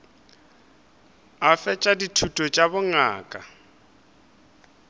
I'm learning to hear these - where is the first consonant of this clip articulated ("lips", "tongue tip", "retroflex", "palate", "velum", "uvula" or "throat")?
lips